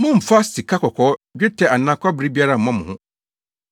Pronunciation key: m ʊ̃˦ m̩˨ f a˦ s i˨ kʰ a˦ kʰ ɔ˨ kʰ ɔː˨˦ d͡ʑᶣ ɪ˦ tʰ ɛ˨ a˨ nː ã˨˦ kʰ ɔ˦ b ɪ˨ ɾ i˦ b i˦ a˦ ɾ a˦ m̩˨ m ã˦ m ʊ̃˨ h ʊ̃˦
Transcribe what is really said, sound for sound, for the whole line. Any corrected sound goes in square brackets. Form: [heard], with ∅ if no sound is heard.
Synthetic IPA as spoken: m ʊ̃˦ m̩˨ f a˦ s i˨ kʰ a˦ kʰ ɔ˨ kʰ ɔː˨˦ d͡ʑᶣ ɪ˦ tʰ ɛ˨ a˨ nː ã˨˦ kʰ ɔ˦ b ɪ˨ ɾ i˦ b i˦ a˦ ɾ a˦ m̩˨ m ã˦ m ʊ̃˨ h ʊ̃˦